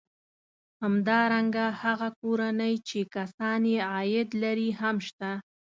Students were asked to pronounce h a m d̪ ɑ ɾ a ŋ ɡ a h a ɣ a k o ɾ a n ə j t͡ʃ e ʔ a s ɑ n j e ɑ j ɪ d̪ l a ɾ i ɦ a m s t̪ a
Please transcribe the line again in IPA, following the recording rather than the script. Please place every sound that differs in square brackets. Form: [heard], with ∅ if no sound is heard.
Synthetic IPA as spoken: h a m d̪ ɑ ɾ a ŋ ɡ a h a ɣ a k o ɾ a n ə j t͡ʃ e [k] a s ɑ n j e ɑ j ɪ d̪ l a ɾ i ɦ a m [ʃ] t̪ a